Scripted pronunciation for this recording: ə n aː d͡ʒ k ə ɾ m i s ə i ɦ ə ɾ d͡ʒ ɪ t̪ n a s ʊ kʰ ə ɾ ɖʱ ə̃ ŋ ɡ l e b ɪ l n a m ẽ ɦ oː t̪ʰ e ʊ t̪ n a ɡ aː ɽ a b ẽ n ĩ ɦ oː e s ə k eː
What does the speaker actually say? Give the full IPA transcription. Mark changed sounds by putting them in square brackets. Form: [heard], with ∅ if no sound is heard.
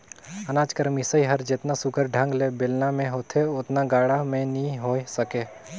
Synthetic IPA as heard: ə n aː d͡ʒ k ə ɾ m i s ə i ɦ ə ɾ d͡ʒ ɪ t̪ n a s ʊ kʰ ə ɾ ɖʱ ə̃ ŋ ɡ l e b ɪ l n a m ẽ ɦ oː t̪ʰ e ʊ t̪ n a ɡ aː ɽ a [m] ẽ n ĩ ɦ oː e s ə k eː

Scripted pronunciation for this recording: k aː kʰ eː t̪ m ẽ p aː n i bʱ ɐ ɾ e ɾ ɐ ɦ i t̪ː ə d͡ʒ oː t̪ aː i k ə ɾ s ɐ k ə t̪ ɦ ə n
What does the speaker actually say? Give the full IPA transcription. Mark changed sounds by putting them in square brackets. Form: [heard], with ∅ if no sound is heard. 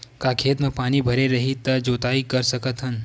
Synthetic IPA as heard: k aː kʰ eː t̪ m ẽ p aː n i bʱ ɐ ɾ e ɾ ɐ ɦ i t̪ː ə d͡ʒ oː t̪ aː i k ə ɾ s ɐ k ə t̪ ɦ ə n

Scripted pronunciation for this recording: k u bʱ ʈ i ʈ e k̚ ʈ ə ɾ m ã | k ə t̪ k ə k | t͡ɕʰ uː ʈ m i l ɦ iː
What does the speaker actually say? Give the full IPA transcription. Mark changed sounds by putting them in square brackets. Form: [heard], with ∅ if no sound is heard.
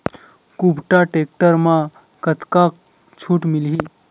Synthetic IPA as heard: k u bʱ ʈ [a] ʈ e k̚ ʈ ə ɾ m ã | k ə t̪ k [a] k | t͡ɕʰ uː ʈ m i l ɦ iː

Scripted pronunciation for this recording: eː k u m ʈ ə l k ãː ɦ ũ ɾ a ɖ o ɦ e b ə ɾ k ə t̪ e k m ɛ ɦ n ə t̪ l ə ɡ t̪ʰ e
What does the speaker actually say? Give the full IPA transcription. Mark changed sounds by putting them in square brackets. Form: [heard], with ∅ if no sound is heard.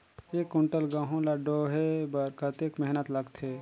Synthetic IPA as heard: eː k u [ɳ] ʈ ə l [ɡ] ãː ɦ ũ [l] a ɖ o ɦ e b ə ɾ k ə t̪ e k m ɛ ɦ n ə t̪ l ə ɡ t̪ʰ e

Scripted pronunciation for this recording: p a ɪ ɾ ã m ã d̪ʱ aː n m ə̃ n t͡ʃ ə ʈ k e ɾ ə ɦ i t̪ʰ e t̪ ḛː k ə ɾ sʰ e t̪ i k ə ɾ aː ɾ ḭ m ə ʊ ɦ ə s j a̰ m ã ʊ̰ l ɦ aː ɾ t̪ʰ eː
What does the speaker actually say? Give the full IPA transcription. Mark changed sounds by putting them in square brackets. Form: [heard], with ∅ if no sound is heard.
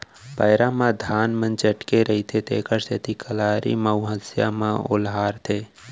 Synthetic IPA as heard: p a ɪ ɾ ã m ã d̪ʱ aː n m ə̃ n t͡ʃ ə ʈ k e ɾ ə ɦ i t̪ʰ e t̪ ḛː k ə ɾ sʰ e t̪ i k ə [l] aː ɾ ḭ m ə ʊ ɦ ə s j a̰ m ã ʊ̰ l ɦ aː ɾ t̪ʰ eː

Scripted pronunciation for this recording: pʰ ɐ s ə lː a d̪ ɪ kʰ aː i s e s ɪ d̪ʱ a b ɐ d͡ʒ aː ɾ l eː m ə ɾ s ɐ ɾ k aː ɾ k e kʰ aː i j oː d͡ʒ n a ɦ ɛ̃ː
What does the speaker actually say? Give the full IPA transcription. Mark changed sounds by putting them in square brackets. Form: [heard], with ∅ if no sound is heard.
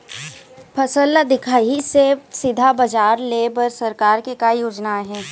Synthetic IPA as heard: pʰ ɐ s ə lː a d̪ ɪ kʰ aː i s e s ɪ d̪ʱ a b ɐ d͡ʒ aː ɾ l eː [b] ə ɾ s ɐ ɾ k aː ɾ k e [k] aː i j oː d͡ʒ n a ɦ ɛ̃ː

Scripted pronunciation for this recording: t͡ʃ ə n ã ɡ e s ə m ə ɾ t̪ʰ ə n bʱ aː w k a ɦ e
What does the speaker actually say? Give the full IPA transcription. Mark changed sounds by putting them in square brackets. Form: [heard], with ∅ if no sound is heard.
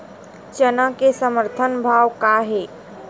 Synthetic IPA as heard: t͡ʃ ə n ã [k] e s ə m ə ɾ t̪ʰ ə n bʱ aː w k a ɦ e

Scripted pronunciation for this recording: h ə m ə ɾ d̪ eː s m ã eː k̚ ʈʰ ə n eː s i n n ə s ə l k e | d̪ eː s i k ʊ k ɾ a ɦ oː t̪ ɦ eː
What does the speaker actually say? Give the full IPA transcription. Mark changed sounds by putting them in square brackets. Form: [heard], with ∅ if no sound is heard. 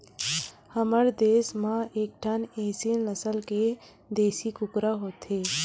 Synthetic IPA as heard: h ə m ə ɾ d̪ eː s m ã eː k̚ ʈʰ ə n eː s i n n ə s ə l k e | d̪ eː s i k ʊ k ɾ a ɦ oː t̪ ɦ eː

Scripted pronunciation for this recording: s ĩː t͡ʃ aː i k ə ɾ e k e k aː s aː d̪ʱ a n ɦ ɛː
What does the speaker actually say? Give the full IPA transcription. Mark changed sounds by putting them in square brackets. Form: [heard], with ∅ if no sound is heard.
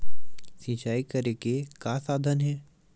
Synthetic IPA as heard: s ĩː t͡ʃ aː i k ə ɾ e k e k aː s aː d̪ʱ [ə] n ɦ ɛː

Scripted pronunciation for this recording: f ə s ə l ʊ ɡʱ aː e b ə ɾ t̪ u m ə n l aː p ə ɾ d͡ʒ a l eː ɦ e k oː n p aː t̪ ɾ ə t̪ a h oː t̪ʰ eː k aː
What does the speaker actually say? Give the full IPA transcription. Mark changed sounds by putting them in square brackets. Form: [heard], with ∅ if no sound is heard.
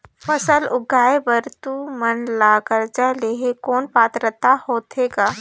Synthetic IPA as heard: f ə s ə l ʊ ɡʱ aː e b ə ɾ t̪ u m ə n l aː [k] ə ɾ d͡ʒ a l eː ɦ e k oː n p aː t̪ ɾ ə t̪ a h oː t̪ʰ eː [ɡ] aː

